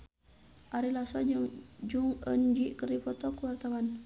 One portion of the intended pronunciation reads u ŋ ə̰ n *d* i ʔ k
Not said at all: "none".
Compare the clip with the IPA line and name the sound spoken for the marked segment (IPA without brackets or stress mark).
d͡ʒ